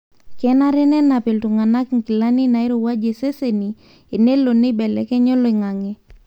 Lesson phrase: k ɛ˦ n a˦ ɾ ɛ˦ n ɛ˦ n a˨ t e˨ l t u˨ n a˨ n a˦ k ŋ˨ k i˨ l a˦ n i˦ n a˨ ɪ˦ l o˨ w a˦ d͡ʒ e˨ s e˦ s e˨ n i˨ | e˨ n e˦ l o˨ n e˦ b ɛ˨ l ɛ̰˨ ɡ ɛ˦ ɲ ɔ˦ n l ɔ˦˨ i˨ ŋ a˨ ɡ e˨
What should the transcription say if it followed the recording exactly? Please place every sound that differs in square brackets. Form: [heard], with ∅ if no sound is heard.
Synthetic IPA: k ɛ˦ n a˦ ɾ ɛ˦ n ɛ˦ n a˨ [p] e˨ l t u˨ [ŋ] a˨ n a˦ k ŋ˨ k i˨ l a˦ n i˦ n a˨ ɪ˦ [ɾ] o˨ w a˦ d͡ʒ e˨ s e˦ s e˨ n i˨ | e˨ n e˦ l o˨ n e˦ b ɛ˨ l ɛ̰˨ [k] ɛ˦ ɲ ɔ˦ [∅] l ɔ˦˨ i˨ ŋ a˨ [ŋ] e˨